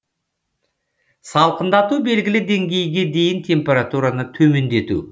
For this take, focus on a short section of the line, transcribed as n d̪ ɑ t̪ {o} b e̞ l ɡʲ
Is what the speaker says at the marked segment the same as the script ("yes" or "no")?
no